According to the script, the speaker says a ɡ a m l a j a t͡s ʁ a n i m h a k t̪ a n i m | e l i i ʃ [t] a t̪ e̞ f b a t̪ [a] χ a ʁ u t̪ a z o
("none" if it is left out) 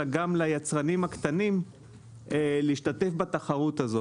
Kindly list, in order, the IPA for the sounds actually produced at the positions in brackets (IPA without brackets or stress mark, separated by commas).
t, a